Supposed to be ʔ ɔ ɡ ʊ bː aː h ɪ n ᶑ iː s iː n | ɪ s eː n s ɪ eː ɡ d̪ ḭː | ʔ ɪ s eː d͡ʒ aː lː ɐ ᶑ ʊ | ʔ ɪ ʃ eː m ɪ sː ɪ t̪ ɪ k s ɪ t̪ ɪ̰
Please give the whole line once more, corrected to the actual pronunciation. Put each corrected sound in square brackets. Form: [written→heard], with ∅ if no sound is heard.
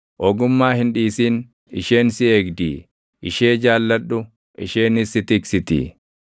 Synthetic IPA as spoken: ʔ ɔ ɡ ʊ [bː→mː] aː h ɪ n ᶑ iː s iː n | ɪ [s→ʃ] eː n s ɪ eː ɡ d̪ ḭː | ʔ ɪ [s→ʃ] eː d͡ʒ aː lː ɐ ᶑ ʊ | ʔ ɪ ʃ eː [m→n] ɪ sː ɪ t̪ ɪ k s ɪ t̪ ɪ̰